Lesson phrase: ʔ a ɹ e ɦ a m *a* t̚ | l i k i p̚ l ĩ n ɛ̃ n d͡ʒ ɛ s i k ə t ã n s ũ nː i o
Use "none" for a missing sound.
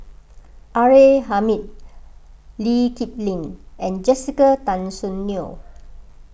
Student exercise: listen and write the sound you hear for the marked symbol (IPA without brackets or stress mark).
i